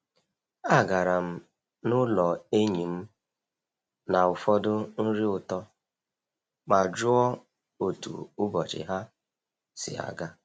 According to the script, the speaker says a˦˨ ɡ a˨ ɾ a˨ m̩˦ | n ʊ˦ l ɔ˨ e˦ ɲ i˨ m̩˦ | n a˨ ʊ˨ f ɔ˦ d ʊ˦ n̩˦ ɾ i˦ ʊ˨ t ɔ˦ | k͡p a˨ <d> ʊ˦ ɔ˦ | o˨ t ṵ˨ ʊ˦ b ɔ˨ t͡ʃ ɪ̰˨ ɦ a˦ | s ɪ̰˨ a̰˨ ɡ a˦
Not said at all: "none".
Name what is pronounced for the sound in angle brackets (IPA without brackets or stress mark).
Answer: d͡ʒ